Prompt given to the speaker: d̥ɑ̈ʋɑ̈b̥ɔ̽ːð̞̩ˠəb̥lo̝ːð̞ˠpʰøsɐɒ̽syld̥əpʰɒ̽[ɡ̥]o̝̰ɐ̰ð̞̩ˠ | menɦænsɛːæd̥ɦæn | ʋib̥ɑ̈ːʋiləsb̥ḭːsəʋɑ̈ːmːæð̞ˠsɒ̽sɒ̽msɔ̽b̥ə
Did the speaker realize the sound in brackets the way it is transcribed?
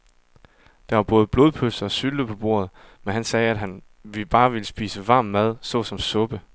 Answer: no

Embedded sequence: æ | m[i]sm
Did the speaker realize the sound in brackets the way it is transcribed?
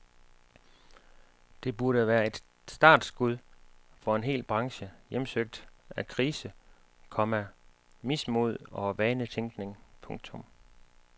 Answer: yes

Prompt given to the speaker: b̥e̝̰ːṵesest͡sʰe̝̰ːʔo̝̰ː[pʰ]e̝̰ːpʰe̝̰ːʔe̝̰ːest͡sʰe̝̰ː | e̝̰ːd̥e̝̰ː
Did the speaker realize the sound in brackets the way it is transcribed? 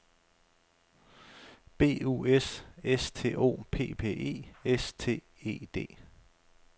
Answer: yes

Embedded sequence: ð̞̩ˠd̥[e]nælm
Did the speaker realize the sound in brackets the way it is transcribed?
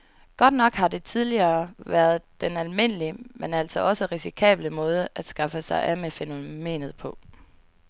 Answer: yes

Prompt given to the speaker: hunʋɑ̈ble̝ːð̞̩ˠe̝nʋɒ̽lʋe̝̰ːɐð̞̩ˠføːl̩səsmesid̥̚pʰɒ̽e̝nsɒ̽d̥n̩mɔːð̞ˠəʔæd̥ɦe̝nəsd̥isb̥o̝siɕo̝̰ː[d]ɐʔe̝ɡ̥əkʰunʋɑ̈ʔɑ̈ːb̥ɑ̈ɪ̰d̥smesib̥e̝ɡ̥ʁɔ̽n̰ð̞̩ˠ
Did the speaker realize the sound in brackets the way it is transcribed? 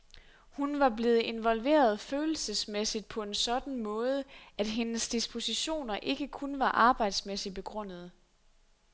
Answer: no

